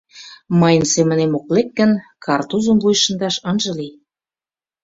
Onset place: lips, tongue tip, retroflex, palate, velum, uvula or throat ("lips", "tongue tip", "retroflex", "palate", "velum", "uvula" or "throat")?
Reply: lips